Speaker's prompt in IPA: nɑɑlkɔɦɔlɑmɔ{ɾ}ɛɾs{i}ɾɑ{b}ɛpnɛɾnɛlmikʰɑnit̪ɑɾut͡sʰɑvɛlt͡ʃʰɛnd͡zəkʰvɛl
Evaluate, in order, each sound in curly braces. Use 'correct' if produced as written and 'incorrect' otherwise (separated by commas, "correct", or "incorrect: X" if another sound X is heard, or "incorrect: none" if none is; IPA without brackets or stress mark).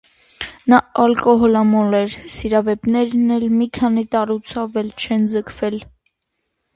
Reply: incorrect: l, correct, incorrect: v